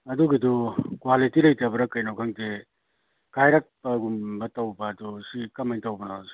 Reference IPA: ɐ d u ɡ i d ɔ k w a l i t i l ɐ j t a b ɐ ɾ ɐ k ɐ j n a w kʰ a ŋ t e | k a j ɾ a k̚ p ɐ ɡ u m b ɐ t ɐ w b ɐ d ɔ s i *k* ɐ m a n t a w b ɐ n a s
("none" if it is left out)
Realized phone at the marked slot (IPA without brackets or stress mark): k